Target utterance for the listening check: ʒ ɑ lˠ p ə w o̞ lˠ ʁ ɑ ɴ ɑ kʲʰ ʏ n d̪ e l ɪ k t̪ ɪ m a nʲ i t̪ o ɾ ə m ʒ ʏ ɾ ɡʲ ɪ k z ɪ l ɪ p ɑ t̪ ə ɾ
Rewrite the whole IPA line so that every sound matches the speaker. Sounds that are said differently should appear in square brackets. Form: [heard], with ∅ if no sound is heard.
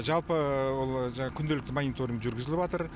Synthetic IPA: ʒ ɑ lˠ p ə w o̞ lˠ [ʒ] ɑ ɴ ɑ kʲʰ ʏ n d̪ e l ɪ k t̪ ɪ m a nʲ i t̪ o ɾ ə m ʒ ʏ ɾ ɡʲ ɪ [∅] z ɪ l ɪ p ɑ t̪ ə ɾ